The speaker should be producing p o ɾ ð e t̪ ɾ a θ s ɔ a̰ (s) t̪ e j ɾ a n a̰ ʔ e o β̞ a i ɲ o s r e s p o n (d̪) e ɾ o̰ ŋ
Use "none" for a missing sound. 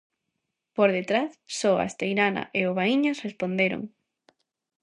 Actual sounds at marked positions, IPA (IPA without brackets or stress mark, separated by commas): s, d̪